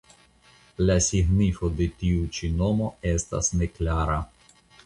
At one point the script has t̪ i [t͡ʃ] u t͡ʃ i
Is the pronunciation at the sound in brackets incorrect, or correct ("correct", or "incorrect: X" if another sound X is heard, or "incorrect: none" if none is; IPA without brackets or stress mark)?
incorrect: none